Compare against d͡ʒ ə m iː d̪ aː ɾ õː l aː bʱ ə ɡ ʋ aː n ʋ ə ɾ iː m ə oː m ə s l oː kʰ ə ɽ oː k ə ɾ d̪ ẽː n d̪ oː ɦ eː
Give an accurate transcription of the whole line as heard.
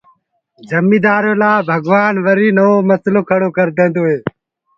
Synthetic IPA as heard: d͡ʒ ə m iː d̪ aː ɾ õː l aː bʱ ə ɡ ʋ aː n ʋ ə ɾ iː n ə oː m ə s l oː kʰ ə ɽ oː k ə ɾ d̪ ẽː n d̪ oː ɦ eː